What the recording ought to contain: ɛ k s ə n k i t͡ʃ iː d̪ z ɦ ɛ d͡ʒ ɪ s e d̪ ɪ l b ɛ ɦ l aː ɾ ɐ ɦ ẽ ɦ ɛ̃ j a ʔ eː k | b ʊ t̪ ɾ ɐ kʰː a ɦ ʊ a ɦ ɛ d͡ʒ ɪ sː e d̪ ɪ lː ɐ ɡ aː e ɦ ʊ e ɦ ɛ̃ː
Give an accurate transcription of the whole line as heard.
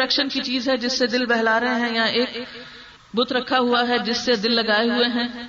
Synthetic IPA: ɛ k ʃ ə n k i t͡ʃ iː z ɦ ɛ d͡ʒ ɪ sː e d̪ ɪ l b ɛ ɦ l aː ɾ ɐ ɦ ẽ ɦ ɛ̃ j a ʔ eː k | b ʊ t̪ ɾ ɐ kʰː a ɦ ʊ a ɦ ɛ d͡ʒ ɪ sː e d̪ ɪ lː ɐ ɡ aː e ɦ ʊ e ɦ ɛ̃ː